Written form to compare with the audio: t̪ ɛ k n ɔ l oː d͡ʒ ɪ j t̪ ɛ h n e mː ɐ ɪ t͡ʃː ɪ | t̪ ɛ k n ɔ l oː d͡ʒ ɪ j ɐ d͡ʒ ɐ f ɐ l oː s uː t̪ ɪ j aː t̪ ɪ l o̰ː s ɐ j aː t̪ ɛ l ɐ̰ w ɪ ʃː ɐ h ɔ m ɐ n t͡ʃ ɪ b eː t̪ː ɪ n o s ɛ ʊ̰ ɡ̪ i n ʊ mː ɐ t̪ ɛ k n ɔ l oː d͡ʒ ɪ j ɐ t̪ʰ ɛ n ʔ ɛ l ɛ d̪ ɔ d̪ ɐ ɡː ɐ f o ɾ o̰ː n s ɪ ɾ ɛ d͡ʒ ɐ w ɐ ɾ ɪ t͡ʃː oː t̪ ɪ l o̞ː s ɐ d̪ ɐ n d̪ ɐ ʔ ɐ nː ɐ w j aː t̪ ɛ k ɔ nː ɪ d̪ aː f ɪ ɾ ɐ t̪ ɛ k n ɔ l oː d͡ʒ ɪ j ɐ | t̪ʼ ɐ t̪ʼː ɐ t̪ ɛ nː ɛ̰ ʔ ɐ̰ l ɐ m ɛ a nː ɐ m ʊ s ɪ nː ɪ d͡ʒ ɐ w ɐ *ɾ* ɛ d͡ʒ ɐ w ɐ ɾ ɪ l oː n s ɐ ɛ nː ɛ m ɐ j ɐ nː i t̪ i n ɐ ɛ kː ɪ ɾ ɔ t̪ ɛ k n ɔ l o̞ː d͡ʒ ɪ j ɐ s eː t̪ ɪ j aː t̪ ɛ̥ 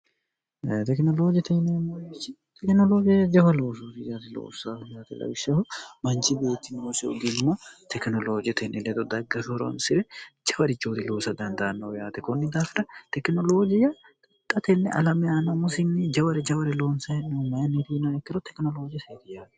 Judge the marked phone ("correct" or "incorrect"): correct